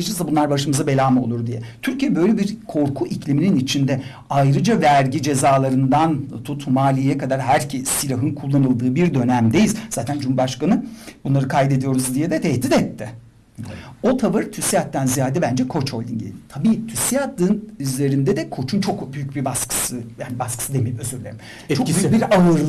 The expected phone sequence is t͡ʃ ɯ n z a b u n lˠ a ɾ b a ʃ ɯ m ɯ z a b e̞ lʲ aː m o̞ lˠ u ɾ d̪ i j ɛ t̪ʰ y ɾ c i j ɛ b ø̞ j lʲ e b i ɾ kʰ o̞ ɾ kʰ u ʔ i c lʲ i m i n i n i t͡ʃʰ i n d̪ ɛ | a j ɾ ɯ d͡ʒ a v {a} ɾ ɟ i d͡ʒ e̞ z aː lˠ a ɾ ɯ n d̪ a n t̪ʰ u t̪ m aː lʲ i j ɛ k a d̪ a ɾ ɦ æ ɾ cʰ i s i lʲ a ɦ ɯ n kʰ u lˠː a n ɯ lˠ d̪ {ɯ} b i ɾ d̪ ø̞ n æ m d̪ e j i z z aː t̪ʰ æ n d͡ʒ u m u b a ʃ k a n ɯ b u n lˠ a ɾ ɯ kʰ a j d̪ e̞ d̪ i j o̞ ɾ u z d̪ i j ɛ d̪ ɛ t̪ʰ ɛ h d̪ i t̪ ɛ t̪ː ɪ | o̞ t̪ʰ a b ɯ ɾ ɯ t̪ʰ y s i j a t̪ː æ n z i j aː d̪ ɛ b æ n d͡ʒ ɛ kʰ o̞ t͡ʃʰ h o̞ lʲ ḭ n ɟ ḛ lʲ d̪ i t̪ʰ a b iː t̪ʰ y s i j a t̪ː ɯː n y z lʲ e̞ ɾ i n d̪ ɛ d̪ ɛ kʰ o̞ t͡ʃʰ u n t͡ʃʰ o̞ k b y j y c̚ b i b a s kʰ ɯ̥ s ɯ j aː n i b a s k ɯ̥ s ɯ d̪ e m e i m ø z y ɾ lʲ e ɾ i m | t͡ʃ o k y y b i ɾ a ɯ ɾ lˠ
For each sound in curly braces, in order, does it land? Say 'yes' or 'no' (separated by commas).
no, no